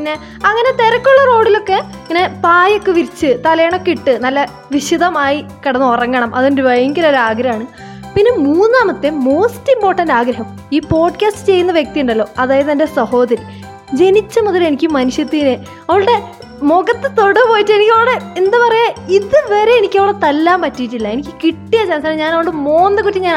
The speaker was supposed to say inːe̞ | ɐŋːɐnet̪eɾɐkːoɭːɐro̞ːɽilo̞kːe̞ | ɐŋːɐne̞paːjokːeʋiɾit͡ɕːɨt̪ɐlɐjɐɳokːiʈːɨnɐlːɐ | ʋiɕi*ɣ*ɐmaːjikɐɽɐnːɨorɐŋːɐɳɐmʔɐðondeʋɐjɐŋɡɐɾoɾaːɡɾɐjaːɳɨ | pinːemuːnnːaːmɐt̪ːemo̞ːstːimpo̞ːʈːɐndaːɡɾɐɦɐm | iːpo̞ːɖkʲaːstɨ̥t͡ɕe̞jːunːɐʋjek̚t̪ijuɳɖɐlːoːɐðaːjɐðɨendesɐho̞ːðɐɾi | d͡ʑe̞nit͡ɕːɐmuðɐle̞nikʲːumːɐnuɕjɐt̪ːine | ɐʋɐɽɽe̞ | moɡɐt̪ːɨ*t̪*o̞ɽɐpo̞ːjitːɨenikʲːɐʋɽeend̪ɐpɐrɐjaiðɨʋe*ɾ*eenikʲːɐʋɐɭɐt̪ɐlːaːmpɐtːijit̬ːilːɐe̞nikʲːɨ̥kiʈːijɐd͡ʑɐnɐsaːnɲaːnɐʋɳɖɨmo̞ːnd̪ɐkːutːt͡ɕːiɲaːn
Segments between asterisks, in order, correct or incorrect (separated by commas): incorrect, correct, correct